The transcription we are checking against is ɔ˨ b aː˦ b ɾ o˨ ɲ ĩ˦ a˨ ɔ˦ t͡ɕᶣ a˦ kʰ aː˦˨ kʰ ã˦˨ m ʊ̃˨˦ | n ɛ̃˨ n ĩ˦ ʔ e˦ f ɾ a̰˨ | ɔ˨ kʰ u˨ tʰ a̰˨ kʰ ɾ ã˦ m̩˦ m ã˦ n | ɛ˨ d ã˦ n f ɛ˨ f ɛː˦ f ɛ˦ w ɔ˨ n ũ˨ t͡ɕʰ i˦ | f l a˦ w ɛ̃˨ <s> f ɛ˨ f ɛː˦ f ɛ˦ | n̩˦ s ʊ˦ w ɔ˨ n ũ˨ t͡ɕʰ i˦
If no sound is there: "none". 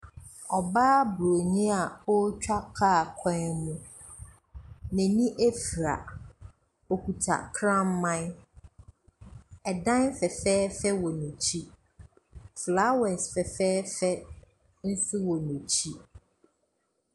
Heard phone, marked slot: s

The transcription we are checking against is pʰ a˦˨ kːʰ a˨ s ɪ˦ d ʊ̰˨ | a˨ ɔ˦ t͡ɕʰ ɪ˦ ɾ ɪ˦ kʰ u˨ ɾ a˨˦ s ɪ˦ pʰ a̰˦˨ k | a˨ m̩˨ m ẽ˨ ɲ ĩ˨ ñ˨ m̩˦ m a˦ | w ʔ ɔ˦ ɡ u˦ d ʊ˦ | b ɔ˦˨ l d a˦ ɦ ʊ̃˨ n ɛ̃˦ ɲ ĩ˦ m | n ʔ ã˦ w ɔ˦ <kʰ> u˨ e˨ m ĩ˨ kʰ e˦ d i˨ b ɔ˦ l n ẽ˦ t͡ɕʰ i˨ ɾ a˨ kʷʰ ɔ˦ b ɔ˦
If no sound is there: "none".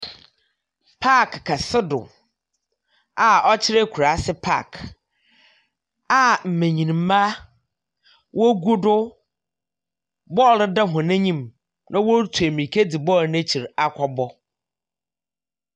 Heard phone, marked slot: tʰ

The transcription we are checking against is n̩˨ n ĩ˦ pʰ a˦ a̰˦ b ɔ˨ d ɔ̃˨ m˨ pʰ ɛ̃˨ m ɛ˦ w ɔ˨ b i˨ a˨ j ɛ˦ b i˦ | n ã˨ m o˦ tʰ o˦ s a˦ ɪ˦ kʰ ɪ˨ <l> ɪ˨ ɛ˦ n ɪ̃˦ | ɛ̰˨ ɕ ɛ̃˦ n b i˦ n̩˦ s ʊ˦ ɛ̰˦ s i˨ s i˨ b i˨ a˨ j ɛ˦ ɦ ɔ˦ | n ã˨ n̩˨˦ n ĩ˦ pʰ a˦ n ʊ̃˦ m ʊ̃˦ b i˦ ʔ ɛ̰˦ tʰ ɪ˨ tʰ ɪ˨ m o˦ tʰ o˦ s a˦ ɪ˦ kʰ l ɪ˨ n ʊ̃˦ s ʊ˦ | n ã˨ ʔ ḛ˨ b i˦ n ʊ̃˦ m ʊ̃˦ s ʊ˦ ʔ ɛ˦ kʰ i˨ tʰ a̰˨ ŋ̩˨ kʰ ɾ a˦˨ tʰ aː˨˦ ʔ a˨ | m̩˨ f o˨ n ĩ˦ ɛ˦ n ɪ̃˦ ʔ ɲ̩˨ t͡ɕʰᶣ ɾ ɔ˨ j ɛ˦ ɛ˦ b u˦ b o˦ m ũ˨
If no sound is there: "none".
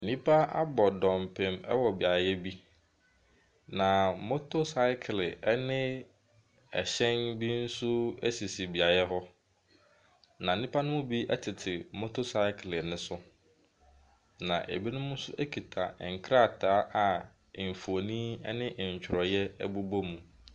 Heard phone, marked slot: l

